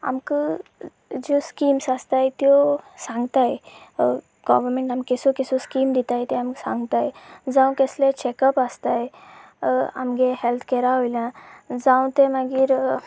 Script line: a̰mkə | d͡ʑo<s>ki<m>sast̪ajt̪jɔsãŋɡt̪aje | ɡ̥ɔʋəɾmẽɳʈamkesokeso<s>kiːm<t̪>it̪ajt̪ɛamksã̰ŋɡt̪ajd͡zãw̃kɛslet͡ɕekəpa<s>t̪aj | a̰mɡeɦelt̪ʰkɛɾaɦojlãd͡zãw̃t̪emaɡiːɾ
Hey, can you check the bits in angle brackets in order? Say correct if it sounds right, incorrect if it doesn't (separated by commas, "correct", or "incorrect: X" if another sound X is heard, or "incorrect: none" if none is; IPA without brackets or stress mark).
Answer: correct, correct, correct, incorrect: d̪, correct